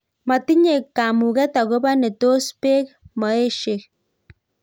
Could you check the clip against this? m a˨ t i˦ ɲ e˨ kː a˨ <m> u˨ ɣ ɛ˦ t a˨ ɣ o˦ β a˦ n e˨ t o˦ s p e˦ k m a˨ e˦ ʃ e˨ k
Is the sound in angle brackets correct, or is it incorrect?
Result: correct